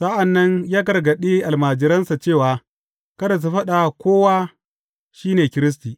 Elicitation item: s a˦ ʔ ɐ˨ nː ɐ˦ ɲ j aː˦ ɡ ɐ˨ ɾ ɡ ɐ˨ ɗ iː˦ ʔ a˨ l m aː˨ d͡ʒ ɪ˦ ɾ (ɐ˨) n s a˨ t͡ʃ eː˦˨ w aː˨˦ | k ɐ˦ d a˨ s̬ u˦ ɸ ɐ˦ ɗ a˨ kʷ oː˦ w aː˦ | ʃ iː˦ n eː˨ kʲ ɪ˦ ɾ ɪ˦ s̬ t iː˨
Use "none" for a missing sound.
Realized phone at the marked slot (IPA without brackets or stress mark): ɐ˦